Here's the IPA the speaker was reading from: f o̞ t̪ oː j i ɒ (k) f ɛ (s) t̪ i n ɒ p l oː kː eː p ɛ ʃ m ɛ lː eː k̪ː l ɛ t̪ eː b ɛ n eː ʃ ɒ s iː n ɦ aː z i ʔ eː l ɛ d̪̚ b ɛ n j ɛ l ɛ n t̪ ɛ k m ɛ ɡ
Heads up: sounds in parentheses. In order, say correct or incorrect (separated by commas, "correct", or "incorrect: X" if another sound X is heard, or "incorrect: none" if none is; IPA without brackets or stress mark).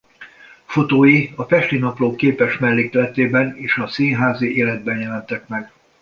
incorrect: none, incorrect: ʃ